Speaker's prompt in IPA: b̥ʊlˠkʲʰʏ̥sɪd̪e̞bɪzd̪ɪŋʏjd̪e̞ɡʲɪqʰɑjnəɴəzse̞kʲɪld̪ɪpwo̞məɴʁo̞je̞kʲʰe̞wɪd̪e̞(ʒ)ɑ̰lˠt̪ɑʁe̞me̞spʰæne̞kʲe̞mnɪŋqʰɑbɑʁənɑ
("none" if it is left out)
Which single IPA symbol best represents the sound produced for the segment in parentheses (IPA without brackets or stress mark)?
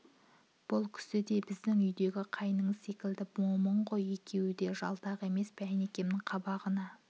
ʒ